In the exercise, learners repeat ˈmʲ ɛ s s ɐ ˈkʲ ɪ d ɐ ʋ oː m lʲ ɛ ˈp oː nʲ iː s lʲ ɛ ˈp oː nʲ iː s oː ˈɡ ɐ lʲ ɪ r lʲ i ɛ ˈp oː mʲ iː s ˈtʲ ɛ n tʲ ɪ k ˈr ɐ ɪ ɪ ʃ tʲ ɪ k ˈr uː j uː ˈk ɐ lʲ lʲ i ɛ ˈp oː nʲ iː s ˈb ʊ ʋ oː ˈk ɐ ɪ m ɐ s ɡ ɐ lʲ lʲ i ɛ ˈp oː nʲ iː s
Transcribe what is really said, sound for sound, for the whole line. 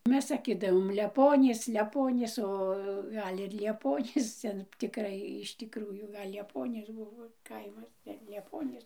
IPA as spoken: ˈmʲ ɛ s s ɐ ˈkʲ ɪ d ɐ ʋ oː m lʲ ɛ ˈp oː nʲ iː s lʲ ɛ ˈp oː nʲ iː s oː ˈɡ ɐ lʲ ɪ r lʲ i ɛ ˈp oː nʲ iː s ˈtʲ ɛ n tʲ ɪ k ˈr ɐ ɪ ɪ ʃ tʲ ɪ k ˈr uː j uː ˈɡ ɐ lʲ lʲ i ɛ ˈp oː nʲ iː s ˈb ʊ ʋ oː ˈk ɐ ɪ m ɐ s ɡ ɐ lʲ lʲ i ɛ ˈp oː nʲ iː s